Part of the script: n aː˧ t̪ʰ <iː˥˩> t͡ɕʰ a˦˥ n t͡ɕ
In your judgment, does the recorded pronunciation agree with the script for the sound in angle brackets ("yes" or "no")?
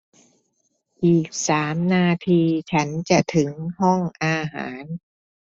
no